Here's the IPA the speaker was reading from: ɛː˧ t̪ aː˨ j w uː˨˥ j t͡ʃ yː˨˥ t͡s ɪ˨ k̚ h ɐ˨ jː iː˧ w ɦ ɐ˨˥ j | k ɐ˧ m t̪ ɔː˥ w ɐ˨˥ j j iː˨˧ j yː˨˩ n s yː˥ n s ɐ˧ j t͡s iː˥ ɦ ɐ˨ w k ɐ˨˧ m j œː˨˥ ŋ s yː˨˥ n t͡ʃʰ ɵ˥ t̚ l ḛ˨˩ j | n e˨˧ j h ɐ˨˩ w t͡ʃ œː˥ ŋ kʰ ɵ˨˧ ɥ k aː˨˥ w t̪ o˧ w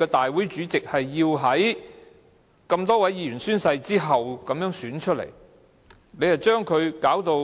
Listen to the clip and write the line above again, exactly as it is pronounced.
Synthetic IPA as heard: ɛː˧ t̪ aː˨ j w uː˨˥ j t͡ʃ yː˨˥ t͡s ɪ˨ k̚ h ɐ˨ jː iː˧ w ɦ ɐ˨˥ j | k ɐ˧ m t̪ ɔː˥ w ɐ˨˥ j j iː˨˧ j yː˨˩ n s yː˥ n s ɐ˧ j t͡s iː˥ ɦ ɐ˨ w k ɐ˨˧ m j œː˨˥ ŋ s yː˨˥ n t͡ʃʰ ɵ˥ t̚ l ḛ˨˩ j | n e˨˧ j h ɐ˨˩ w t͡ʃ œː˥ ŋ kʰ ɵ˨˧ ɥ k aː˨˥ w t̪ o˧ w